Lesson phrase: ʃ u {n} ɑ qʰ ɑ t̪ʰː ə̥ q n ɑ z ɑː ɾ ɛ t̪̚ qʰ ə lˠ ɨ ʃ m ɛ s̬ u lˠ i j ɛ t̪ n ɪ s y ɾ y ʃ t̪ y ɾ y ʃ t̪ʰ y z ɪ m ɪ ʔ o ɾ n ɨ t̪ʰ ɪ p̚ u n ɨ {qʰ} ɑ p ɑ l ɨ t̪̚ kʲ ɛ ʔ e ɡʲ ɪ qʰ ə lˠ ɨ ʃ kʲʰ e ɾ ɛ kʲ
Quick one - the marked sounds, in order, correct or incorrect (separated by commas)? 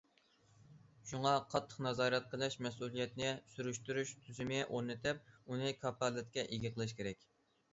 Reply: incorrect, incorrect